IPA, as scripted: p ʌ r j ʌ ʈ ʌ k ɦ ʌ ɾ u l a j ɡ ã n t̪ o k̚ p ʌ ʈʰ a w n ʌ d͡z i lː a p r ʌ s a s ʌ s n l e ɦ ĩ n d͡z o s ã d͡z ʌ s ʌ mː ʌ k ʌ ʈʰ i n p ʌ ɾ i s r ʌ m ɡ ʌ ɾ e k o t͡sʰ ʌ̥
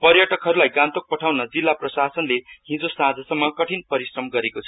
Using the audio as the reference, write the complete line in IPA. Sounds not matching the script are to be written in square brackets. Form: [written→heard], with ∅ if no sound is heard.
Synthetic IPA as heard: p ʌ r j ʌ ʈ ʌ k ɦ ʌ ɾ u l a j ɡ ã n t̪ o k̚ p ʌ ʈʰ a w n ʌ d͡z i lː a p r ʌ s a s ʌ [s→∅] n l e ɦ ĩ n d͡z o s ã d͡z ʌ s ʌ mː ʌ k ʌ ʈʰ i n p ʌ ɾ i s r ʌ m ɡ ʌ ɾ e k o t͡sʰ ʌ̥